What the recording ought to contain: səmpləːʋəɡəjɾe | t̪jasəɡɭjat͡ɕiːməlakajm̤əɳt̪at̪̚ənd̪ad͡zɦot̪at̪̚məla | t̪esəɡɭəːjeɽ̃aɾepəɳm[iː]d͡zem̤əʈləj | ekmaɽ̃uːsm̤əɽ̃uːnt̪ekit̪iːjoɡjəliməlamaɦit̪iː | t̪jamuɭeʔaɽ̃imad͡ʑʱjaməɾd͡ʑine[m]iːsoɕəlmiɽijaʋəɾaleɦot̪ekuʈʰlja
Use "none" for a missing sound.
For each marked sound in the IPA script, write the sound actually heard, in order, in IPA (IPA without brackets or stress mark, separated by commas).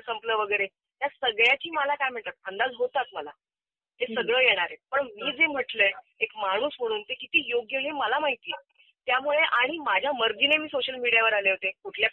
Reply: iː, m